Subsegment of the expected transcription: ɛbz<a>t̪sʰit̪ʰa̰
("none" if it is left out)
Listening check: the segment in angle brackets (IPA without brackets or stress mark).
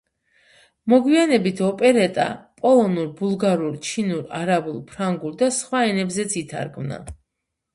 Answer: ɛ